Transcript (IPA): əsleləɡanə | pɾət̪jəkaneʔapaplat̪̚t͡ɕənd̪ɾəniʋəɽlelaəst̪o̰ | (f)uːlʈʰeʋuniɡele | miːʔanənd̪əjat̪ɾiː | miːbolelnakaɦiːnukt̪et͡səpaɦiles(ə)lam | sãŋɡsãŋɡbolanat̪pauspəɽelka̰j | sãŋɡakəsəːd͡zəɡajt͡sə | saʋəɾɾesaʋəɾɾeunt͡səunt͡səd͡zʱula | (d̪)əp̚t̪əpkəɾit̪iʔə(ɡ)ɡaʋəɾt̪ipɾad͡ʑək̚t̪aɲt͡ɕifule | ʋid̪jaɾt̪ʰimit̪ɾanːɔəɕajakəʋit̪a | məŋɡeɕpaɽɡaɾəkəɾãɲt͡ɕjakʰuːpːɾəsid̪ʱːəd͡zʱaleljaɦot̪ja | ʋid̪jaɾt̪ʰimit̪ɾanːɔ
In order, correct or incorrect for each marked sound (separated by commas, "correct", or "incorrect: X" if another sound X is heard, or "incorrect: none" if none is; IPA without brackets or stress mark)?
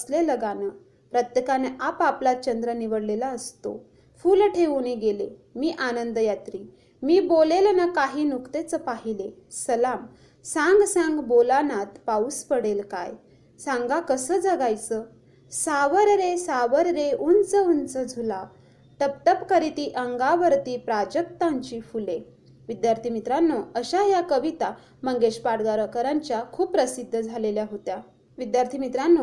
correct, correct, incorrect: t̪, incorrect: ŋ